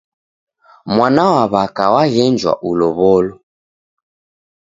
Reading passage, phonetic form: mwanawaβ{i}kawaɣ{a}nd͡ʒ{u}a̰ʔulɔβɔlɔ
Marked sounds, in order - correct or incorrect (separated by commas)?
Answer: incorrect, incorrect, incorrect